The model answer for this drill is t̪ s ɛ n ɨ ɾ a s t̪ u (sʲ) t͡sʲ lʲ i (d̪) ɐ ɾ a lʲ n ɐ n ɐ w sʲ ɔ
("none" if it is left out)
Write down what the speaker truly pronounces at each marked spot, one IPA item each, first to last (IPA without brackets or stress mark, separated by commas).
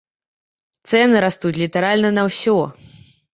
none, t̪